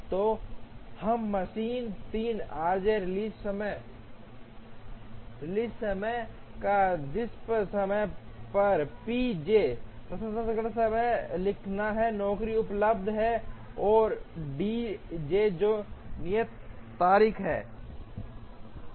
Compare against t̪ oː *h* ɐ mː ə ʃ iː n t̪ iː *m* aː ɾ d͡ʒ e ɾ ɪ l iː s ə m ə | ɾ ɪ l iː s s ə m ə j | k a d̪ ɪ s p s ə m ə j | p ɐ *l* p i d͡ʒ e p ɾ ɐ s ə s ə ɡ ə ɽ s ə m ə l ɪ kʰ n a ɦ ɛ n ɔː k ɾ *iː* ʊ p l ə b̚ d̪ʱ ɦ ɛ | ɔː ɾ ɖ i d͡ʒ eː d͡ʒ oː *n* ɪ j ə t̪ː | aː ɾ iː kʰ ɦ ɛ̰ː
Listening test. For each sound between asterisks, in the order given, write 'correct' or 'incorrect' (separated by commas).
correct, incorrect, incorrect, incorrect, correct